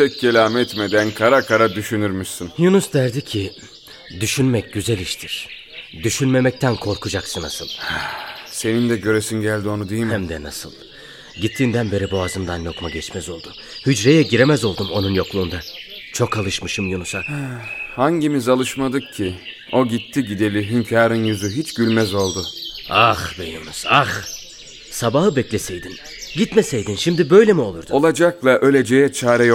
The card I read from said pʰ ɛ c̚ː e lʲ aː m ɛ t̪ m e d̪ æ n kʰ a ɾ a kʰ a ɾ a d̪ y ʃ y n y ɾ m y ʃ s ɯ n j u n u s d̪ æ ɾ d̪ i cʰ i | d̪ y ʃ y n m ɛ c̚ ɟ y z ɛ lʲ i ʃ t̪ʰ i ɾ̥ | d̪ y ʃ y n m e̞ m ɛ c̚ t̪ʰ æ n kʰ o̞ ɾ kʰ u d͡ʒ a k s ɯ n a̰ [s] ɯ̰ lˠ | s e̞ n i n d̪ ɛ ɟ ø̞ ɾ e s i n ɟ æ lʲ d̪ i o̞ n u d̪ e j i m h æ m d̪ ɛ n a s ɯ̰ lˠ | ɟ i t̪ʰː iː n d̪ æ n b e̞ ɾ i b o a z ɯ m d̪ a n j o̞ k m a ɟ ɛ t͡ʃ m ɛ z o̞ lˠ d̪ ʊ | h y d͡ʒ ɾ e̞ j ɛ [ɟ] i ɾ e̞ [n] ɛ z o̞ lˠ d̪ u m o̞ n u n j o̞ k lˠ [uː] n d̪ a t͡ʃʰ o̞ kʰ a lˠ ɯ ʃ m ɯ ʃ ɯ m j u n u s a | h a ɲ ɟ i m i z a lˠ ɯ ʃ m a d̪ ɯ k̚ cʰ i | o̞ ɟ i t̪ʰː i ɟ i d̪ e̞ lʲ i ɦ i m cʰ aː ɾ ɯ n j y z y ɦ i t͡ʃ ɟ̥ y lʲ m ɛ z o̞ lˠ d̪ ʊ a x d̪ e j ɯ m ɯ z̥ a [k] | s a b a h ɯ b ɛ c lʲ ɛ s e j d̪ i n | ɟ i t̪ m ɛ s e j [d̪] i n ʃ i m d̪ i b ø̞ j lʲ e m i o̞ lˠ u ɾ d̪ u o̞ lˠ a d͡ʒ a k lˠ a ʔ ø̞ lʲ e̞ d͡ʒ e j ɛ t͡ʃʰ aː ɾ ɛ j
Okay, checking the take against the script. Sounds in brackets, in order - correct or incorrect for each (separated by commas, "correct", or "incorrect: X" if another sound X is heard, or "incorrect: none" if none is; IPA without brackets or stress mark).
correct, correct, incorrect: m, correct, incorrect: x, correct